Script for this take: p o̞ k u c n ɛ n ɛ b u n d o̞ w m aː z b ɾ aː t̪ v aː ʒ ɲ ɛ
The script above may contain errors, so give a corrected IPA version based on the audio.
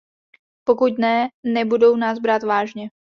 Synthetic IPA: p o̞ k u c n ɛ n ɛ b u d o̞ w n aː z b ɾ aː t̪ v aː ʒ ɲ ɛ